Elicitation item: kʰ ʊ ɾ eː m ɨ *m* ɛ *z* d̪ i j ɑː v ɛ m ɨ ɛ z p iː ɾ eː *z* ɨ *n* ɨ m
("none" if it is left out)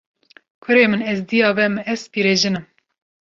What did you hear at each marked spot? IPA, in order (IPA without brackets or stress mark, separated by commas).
n, z, ʒ, n